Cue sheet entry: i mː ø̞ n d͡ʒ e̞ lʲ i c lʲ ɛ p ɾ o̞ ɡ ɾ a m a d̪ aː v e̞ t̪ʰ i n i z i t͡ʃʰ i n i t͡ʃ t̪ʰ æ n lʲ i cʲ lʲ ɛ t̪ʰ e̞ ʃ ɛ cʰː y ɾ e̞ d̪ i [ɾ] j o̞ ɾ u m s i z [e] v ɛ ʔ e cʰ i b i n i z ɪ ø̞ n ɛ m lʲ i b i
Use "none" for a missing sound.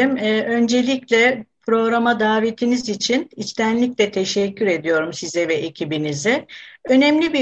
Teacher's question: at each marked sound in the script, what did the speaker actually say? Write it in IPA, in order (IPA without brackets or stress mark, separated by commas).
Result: none, ɛ